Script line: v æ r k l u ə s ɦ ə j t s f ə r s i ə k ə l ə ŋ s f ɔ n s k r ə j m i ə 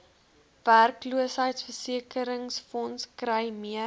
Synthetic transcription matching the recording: v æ r k l u ə s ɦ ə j t s f ə r s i ə k ə ɾ ə ŋ s f ɔ n s k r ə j m i ə